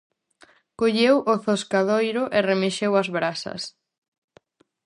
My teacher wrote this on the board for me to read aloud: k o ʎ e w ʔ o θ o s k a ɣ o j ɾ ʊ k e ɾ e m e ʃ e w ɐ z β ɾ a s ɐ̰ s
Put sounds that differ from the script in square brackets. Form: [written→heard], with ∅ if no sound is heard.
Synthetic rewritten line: k o ʎ e w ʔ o θ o s k a [ɣ→ð] o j ɾ ʊ [k→ʔ] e [ɾ→r] e m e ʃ e w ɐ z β ɾ a s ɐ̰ s